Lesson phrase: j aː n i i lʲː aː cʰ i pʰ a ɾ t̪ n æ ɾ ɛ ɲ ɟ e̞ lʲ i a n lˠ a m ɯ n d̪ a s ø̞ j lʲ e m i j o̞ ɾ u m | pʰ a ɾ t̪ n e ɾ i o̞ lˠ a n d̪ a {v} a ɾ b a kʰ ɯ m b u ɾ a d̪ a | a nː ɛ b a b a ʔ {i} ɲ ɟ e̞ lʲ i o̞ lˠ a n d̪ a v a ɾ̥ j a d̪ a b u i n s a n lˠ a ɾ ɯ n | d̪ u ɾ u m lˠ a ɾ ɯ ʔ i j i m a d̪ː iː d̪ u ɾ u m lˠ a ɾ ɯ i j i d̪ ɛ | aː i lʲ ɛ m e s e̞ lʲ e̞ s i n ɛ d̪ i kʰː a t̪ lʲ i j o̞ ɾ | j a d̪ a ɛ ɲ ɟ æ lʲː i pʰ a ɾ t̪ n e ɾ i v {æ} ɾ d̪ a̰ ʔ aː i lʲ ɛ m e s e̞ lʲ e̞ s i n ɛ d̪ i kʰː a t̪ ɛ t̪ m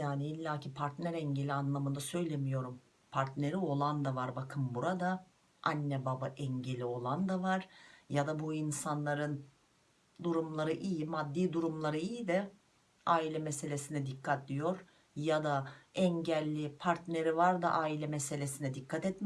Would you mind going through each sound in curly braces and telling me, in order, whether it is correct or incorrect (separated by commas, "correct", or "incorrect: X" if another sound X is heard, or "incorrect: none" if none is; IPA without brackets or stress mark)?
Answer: correct, incorrect: ɛ, incorrect: a